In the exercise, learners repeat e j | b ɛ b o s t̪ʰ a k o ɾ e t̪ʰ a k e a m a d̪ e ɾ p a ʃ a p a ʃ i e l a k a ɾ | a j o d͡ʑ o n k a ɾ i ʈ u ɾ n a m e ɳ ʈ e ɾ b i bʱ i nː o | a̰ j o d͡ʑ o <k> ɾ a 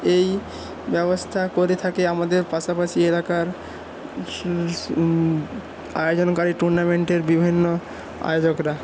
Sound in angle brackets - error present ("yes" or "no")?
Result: no